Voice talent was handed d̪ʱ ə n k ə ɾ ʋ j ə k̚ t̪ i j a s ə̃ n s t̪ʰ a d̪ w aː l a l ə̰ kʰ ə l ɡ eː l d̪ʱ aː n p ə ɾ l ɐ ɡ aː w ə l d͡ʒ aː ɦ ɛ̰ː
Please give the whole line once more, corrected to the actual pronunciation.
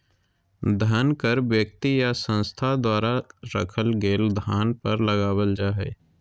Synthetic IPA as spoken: d̪ʱ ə n k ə ɾ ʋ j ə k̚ t̪ i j a s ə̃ n s t̪ʰ a d̪ w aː ɾ a ɾ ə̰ kʰ ə l ɡ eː l d̪ʱ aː n p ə ɾ l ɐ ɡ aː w ə l d͡ʒ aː ɦ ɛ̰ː